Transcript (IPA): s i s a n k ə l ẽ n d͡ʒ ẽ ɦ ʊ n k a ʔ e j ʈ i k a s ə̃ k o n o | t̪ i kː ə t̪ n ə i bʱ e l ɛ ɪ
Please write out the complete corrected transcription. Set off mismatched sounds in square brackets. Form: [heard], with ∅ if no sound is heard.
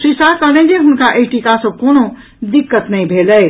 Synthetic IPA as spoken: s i s a [∅] k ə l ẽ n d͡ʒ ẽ ɦ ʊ n k a ʔ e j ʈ i k a s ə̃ k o n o | [d̪] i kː ə t̪ n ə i bʱ e l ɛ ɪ